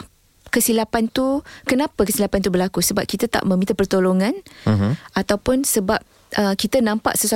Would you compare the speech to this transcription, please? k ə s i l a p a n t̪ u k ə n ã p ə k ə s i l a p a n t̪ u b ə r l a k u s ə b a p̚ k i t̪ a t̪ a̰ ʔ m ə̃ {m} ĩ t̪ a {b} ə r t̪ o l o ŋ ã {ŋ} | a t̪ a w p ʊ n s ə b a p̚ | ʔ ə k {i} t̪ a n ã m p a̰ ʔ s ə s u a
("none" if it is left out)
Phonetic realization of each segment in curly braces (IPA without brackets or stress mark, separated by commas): m, p, n, i